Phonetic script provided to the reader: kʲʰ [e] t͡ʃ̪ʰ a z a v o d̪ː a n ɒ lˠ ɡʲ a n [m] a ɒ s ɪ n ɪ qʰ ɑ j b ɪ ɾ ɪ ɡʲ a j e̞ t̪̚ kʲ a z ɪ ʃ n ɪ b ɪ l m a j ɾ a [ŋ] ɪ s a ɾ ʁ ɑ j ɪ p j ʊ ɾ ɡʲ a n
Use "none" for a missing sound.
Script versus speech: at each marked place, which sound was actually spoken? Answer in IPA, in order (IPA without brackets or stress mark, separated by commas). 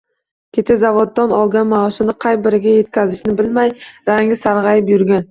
e, m, ŋ